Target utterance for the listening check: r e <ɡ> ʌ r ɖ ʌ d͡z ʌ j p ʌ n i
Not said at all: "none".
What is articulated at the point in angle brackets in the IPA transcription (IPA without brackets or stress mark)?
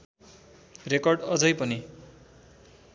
k